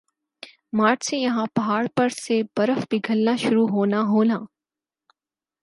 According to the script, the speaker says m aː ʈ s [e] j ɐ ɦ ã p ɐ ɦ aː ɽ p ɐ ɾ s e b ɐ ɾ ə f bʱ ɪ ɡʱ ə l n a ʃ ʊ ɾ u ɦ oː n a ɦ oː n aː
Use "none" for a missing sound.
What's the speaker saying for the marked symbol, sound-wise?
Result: e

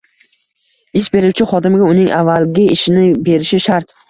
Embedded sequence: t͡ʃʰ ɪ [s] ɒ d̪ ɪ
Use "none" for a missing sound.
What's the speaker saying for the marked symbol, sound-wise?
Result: χ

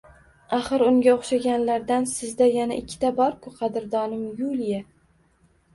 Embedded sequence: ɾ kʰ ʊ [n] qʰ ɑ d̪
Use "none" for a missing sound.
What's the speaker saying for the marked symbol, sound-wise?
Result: none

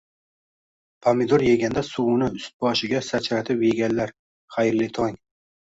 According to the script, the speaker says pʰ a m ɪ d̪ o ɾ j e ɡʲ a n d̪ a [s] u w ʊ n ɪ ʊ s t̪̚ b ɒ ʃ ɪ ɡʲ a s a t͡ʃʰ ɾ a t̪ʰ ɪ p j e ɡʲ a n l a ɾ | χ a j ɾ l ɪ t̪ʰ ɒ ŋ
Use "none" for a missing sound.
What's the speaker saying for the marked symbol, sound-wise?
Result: s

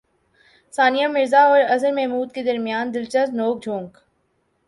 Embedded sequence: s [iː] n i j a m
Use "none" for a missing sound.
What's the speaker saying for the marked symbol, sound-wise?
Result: aː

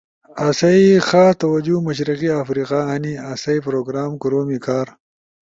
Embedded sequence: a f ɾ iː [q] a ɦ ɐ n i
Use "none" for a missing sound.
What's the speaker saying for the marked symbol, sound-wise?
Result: q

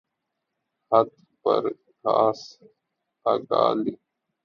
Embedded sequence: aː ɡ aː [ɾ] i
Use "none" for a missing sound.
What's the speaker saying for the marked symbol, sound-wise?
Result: l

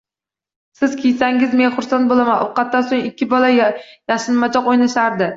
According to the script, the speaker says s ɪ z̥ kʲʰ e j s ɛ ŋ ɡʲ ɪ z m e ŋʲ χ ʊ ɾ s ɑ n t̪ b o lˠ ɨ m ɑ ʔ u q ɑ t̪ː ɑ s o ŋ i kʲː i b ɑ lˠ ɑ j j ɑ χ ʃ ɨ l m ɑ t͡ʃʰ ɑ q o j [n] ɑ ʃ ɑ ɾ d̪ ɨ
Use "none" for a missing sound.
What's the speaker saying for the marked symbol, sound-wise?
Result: n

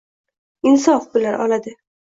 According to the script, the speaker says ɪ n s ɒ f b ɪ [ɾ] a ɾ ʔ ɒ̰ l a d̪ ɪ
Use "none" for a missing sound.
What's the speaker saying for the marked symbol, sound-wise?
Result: l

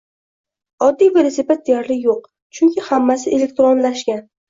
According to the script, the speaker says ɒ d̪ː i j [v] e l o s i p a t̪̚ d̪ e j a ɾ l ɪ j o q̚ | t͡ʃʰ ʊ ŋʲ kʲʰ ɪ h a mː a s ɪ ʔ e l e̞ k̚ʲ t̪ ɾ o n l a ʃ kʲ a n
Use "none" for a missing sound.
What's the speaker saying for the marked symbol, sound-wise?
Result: v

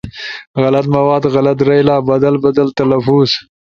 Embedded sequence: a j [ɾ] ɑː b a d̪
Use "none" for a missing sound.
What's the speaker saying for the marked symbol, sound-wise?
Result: l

